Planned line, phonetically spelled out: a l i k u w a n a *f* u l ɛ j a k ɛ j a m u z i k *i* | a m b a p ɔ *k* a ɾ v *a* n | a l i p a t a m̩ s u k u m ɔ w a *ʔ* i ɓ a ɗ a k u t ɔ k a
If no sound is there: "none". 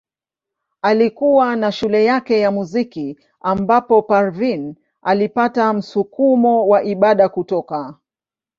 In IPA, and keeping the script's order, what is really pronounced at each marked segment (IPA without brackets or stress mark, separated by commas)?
ʃ, i, p, i, ʔ